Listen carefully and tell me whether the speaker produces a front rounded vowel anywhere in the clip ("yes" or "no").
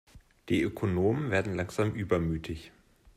yes